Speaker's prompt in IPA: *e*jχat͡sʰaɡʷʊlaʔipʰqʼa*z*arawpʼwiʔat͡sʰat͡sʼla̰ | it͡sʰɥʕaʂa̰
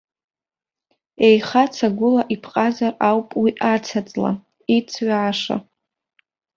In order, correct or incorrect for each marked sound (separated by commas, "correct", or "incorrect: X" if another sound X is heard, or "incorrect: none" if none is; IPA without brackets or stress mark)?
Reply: correct, correct